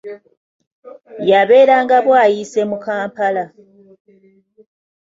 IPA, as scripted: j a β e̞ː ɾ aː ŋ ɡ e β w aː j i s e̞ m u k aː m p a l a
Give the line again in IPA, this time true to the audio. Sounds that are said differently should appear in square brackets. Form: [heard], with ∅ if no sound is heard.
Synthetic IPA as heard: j a β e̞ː ɾ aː ŋ ɡ [a] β w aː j i s e̞ m u k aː m p a l a

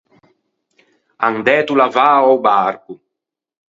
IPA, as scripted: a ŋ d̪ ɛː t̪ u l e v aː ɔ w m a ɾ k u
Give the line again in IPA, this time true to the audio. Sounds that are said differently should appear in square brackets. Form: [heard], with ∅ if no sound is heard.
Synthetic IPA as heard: a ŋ d̪ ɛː t̪ u l [a] v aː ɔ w [b] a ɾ k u

